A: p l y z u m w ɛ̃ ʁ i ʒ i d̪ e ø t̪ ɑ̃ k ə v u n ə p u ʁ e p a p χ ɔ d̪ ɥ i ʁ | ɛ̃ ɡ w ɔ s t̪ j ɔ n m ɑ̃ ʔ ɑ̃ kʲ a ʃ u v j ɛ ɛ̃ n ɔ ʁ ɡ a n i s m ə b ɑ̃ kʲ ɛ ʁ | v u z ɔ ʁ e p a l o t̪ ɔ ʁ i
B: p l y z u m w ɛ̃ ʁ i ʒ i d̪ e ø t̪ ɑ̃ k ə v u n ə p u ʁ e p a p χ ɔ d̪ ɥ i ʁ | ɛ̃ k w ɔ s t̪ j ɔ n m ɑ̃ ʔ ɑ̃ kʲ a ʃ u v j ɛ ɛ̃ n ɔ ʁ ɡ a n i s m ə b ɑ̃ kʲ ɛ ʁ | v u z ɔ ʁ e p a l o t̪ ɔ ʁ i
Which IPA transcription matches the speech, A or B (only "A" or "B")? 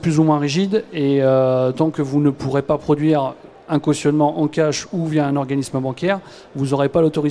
B